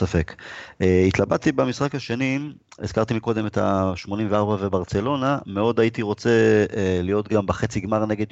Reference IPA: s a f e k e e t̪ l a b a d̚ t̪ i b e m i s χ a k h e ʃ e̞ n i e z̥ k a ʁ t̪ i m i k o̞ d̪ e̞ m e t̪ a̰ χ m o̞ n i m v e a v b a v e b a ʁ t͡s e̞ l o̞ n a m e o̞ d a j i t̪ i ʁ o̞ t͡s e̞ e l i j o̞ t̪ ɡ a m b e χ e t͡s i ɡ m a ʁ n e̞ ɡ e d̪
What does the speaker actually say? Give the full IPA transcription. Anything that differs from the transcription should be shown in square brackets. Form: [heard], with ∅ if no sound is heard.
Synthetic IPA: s a f e k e [i] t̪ l a b a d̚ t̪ i b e m i s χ a k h [a] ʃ e̞ n i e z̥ k a ʁ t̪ i m i k o̞ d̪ e̞ m e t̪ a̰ [ʃ] m o̞ n i m v e a [ʁ] b a v e b a ʁ t͡s e̞ l o̞ n a m e o̞ d a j i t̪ i ʁ o̞ t͡s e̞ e l i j o̞ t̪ ɡ a m b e χ e t͡s i ɡ m a ʁ n e̞ ɡ e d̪